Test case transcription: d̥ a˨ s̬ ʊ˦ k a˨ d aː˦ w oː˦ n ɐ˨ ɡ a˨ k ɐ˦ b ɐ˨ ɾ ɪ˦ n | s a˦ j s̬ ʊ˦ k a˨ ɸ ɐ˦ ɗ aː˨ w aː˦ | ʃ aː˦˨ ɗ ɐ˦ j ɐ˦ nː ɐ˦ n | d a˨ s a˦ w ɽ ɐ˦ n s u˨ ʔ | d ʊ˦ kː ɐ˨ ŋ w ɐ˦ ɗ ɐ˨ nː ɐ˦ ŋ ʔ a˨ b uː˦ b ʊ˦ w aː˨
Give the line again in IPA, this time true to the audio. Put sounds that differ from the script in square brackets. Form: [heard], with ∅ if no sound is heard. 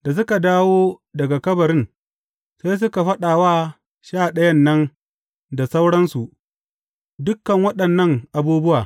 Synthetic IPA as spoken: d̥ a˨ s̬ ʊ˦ k a˨ d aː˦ w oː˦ [d] ɐ˨ ɡ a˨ k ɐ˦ b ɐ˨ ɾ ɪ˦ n | s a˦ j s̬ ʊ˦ k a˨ ɸ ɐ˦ ɗ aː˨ w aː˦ | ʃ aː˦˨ ɗ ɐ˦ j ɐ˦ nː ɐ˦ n | d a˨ s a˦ w ɽ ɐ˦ n s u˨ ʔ | d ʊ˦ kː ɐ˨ ŋ w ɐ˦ ɗ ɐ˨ nː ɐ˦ ŋ ʔ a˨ b uː˦ b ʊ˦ w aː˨

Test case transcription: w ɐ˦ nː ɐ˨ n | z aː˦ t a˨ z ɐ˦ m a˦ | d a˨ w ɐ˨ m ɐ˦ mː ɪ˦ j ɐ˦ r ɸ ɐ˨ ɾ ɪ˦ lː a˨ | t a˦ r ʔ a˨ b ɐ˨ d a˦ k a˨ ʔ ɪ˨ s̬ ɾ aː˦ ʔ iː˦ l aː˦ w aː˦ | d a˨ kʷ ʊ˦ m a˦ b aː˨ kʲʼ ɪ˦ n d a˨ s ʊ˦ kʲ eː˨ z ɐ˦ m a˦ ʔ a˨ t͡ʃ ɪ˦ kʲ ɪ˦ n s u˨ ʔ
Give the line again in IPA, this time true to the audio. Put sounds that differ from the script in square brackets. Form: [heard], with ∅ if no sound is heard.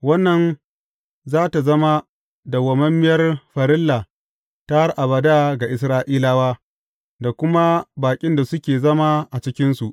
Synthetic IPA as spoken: w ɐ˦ nː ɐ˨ n | z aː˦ t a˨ z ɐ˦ m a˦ | d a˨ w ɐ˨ m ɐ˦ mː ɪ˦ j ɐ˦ r ɸ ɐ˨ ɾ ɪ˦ lː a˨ | t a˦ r ʔ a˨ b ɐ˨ d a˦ [ɡ] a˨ ʔ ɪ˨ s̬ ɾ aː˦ ʔ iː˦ l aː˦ w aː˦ | d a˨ kʷ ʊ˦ m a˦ b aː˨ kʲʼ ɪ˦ n d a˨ s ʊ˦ kʲ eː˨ z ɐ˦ m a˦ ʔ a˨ t͡ʃ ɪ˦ kʲ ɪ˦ n s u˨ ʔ

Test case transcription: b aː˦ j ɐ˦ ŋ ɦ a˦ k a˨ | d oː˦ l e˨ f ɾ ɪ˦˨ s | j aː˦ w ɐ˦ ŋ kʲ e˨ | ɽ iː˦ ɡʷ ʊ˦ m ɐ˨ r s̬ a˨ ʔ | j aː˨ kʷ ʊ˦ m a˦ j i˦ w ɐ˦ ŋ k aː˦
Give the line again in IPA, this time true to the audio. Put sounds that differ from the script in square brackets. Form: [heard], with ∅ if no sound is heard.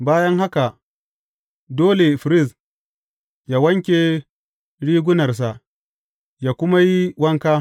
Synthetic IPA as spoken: b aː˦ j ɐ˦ ŋ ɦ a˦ k a˨ | d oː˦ l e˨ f ɾ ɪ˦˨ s | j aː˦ w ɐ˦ ŋ kʲ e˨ | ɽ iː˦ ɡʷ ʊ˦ [n] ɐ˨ r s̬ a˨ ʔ | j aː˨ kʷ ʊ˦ m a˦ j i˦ w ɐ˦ ŋ k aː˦

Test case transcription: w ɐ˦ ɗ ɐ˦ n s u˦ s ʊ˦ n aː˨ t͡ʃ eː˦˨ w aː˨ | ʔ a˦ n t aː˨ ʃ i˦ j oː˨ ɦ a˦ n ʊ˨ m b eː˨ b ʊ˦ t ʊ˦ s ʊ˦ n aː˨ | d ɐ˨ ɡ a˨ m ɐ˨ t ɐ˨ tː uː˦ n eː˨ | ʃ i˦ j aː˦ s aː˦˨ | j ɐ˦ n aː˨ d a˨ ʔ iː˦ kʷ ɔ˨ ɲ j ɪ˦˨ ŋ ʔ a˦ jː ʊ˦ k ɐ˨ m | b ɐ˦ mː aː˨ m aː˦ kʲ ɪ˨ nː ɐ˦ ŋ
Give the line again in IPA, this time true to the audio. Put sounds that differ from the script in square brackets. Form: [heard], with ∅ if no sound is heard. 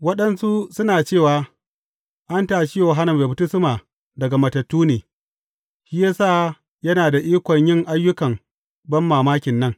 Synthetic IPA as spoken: w ɐ˦ ɗ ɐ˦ n s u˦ s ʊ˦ n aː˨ t͡ʃ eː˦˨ w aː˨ | ʔ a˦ n t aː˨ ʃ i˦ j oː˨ ɦ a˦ n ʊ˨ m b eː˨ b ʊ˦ t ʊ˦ s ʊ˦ [m] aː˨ | d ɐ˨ ɡ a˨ m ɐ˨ t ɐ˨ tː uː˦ n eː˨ | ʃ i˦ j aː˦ s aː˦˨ | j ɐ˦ n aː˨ d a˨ ʔ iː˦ kʷ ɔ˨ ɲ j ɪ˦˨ ŋ ʔ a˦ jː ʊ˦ k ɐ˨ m | b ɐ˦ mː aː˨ m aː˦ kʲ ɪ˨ nː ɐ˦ ŋ

